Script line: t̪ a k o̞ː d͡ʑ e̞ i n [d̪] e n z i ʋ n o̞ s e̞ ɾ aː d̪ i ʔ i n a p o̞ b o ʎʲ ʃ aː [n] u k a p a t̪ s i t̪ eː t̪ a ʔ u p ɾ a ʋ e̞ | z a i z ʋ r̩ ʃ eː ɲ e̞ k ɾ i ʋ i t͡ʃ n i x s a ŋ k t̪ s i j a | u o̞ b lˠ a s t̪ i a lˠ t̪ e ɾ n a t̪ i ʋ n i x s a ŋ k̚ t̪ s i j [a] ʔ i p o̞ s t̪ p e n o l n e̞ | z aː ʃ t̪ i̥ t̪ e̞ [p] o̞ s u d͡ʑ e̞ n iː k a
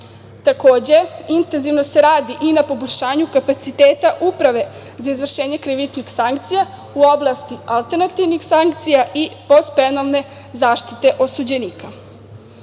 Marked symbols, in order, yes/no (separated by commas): no, no, yes, no